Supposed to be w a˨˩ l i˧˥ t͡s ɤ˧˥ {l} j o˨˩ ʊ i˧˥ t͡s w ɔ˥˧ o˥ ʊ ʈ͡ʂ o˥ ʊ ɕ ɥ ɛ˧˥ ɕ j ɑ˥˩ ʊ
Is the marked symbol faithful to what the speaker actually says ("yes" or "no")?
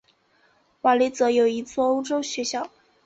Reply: no